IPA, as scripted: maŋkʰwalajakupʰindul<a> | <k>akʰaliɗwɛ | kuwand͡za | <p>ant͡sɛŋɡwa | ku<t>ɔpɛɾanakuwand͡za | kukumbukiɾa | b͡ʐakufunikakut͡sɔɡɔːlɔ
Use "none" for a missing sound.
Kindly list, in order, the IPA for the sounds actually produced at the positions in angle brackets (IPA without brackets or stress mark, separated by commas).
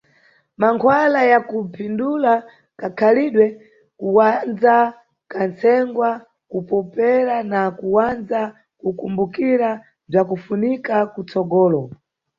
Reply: a, k, k, p